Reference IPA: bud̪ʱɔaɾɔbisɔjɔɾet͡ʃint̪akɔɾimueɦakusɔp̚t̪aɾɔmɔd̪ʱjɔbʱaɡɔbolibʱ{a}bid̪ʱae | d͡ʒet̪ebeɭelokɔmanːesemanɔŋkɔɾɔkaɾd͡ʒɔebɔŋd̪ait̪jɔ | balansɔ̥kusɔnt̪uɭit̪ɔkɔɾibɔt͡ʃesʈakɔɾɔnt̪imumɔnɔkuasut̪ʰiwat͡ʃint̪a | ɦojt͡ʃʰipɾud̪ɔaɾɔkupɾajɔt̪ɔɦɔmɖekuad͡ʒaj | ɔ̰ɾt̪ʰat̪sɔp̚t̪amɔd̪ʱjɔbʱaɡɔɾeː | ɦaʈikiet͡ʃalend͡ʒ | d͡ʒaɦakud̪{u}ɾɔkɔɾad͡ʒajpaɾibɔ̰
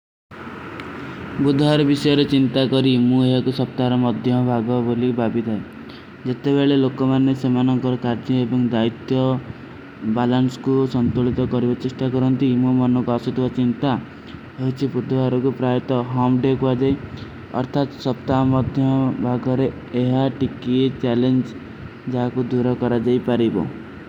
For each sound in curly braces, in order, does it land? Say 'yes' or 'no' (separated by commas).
yes, yes